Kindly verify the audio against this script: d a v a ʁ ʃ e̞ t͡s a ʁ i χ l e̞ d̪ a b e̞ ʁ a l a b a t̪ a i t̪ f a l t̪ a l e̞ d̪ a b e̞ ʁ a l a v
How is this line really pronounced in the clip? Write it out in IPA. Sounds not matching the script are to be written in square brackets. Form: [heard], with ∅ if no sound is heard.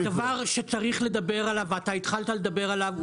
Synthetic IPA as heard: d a v a ʁ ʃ e̞ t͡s a ʁ i χ l e̞ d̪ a b e̞ ʁ a l a [v] a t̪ a i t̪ [χ] a l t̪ a l e̞ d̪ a b e̞ ʁ a l a v

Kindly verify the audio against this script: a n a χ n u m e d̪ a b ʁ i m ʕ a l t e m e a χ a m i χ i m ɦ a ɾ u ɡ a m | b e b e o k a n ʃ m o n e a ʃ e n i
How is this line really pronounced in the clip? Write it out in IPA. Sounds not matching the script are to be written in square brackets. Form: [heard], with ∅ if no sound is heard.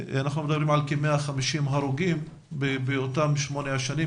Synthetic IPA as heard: a n a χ n u m e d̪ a b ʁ i m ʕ a l [k] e m e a χ a m i [ʃ] i m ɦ a ɾ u ɡ [i] m | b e b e o [t] a [m] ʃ m o n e a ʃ [a] n i

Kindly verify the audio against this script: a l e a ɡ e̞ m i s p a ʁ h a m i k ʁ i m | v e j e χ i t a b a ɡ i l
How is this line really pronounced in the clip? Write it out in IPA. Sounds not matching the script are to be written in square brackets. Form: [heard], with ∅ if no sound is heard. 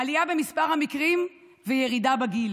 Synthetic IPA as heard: a l [i] a [b] e̞ m i s p a ʁ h a m i k ʁ i m | v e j e [ʁ] i [d] a b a ɡ i l

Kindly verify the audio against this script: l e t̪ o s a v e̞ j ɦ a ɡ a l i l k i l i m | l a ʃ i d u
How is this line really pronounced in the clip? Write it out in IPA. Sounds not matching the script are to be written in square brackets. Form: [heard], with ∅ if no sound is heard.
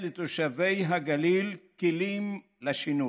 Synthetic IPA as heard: l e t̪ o [ʃ] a v e̞ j ɦ a ɡ a l i l k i l i m | l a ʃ i [n] u

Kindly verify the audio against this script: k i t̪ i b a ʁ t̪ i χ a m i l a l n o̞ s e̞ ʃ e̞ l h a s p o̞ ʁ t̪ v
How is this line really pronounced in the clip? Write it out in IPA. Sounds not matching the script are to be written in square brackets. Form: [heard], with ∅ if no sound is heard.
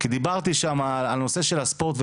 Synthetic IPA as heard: k i [d̪] i b a ʁ t̪ i [ʃ] a m [a] l a l n o̞ s e̞ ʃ e̞ l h a s p o̞ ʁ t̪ v

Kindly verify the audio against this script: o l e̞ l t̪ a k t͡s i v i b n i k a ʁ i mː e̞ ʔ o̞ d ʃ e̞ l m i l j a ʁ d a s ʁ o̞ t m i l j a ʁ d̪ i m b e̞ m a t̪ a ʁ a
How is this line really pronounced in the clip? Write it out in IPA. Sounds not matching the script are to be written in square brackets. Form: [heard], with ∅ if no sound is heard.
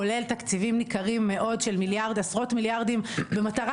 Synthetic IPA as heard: o l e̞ l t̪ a k t͡s i v i [m] n i k a ʁ i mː e̞ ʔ o̞ d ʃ e̞ l m i l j a ʁ d a s ʁ o̞ t m i l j a ʁ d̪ i m b e̞ m a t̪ a ʁ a

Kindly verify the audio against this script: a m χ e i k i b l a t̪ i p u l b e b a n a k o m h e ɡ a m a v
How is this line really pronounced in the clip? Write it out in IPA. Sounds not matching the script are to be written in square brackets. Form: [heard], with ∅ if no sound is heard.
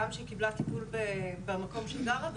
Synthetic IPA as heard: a m [ʃ] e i k i b l a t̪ i p u l b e b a [m] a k o m [ʃ] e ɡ a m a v

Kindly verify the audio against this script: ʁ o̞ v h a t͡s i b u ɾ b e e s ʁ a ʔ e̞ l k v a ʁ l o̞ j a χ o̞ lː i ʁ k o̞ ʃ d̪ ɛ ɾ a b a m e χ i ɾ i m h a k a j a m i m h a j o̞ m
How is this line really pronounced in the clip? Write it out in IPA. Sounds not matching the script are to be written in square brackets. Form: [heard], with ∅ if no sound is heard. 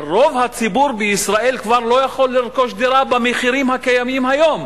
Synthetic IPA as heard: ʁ o̞ v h a t͡s i b u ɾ b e [i] s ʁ a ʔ e̞ l k v a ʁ l o̞ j a χ o̞ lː i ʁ k o̞ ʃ d̪ [i] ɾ a b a m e χ i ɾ i m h a k a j a m i m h a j o̞ m

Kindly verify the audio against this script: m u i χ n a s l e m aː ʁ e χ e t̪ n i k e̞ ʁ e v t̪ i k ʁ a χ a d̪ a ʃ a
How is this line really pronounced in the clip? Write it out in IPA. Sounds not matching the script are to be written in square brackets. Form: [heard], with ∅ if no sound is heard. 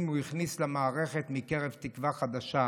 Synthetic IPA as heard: m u i χ n [i] s l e m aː ʁ e χ e t̪ [m] i k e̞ ʁ e v t̪ i k [v] a χ a d̪ a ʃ a

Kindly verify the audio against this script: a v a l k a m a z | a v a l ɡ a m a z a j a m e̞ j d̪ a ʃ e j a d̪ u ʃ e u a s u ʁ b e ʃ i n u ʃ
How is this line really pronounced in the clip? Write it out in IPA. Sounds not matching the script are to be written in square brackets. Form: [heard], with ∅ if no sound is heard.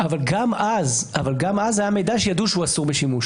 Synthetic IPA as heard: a v a l [ɡ] a m a z | a v a l ɡ a m a z a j a m e̞ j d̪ a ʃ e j a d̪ u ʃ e u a s u ʁ b e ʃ i [m] u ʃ

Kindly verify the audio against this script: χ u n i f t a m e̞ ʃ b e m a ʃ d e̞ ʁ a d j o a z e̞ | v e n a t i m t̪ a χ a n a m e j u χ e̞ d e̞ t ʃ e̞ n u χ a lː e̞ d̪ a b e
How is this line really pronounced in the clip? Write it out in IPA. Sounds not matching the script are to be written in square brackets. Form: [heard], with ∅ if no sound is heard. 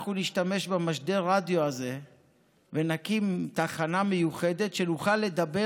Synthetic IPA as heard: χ u n i [ʃ] t a m e̞ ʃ b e m a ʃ d e̞ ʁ a d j o a z e̞ | v e n a [k] i m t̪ a χ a n a m e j u χ e̞ d e̞ t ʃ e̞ n u χ a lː e̞ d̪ a b e

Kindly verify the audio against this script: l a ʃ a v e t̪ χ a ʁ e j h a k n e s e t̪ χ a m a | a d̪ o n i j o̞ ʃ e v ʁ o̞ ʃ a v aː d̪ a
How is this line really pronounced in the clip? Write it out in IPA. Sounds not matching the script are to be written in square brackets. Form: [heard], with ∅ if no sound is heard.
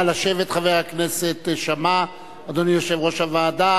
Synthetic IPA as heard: l a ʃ [e] v e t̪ χ a [v] e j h a k n e s e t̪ [ʃ] a m a | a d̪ o n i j o̞ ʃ e v ʁ o̞ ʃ a v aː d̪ a

